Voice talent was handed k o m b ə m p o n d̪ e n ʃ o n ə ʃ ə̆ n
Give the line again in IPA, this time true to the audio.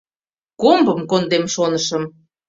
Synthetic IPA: k o m b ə m k o n d̪ e m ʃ o n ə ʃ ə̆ m